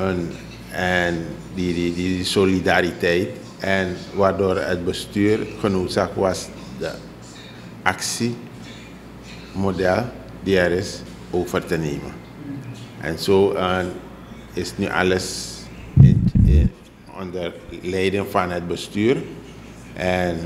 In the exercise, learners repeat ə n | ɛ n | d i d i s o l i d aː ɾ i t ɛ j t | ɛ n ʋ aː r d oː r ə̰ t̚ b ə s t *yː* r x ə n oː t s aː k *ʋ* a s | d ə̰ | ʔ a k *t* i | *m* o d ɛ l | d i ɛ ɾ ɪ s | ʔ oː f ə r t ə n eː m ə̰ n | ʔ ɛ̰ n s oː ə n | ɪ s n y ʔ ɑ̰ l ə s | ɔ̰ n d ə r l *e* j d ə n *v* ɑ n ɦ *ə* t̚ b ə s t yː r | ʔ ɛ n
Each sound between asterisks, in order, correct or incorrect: correct, correct, incorrect, correct, incorrect, incorrect, correct

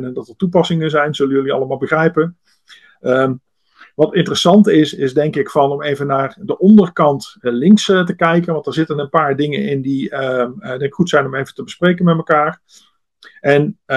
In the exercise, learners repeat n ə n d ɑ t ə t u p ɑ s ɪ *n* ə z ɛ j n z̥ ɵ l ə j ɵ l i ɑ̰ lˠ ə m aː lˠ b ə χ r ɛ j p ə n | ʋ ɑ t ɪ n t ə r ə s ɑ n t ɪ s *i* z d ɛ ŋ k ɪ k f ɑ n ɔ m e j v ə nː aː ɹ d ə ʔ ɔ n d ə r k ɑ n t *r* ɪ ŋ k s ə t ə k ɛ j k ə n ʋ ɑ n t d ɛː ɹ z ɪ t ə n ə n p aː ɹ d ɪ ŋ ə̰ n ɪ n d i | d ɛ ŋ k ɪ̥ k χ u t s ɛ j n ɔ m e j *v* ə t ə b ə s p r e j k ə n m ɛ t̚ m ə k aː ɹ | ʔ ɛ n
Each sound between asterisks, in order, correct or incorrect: incorrect, incorrect, incorrect, correct

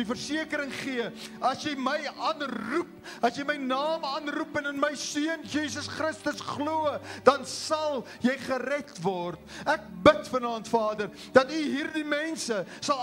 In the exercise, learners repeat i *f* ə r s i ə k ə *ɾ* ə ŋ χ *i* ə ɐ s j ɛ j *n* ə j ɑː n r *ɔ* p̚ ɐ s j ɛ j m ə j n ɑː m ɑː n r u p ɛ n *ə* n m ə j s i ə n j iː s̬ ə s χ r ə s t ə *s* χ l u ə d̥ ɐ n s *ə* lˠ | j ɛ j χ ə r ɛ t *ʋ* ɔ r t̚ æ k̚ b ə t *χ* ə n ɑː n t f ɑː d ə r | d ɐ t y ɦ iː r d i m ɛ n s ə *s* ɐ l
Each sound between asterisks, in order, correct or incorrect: correct, correct, correct, incorrect, incorrect, correct, correct, incorrect, incorrect, incorrect, correct

